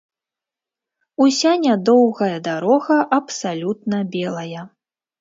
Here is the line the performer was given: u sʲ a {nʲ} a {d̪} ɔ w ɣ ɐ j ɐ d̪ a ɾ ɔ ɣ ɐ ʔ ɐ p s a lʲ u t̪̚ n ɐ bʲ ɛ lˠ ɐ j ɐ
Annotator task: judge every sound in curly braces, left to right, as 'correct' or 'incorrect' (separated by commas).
correct, correct